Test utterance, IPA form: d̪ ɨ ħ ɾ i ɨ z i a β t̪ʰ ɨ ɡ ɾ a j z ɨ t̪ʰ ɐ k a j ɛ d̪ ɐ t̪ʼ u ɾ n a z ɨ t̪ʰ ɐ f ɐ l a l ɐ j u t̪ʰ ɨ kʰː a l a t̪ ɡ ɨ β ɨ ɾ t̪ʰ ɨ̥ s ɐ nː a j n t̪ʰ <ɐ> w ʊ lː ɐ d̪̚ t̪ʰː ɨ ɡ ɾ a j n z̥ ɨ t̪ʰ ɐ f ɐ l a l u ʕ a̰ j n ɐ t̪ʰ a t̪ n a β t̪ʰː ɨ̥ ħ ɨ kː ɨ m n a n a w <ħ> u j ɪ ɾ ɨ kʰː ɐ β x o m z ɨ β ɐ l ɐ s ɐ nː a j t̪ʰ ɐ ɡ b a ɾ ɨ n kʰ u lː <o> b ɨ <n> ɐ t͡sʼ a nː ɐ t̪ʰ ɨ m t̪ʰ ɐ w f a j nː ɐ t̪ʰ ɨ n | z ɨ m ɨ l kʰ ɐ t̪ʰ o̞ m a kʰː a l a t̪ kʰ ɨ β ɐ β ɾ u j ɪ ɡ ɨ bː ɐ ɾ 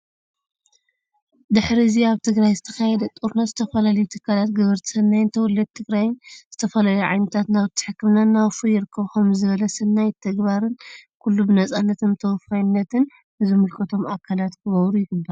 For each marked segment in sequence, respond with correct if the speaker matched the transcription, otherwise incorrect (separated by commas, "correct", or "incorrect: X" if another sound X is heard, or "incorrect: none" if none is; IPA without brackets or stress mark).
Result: correct, incorrect: f, incorrect: u, correct